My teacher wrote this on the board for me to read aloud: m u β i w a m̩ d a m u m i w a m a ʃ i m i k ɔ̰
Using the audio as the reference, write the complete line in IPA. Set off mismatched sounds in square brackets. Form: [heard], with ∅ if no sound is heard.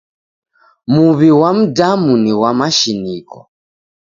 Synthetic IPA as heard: m u β i w a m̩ d a m u [n] i w a m a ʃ i [n] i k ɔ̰